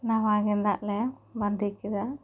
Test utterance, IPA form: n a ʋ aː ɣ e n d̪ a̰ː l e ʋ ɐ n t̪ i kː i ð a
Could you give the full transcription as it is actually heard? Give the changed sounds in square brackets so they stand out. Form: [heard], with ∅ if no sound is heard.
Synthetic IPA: n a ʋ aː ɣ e n d̪ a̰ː l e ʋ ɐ n [d̪] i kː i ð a